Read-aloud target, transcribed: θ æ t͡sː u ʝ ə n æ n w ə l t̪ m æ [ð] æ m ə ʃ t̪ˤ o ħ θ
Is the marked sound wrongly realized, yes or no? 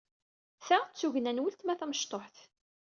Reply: yes